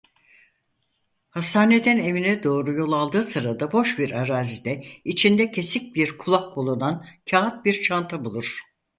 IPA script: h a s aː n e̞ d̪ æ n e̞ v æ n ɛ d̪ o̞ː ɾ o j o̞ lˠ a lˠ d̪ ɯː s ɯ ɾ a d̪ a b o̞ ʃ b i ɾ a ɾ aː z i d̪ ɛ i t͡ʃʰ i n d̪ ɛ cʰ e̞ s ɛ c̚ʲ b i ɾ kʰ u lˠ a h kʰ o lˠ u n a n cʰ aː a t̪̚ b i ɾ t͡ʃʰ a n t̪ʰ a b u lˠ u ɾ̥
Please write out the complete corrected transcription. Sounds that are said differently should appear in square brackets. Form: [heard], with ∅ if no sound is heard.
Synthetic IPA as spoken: h a s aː n e̞ d̪ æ n e̞ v [i] n ɛ d̪ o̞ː ɾ [u] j o̞ lˠ a lˠ d̪ ɯː s ɯ ɾ a d̪ a b o̞ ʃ b i ɾ a ɾ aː z i d̪ ɛ i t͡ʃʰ i n d̪ ɛ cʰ e̞ s [i] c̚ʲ b i ɾ kʰ u lˠ a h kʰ o lˠ u n a n cʰ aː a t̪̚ b i ɾ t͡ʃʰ a n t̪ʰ a b u lˠ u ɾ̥